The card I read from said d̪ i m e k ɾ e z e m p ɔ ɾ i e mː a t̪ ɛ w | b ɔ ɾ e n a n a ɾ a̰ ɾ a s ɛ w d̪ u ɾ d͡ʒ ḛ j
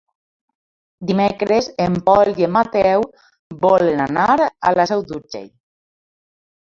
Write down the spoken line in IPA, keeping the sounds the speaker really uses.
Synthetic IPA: d̪ i m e k ɾ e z e m p ɔ l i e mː a t̪ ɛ w | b ɔ l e n a n a ɾ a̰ l a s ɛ w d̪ u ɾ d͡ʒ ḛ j